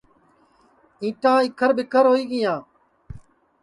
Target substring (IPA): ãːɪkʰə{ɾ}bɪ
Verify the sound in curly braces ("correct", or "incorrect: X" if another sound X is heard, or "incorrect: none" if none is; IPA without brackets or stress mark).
correct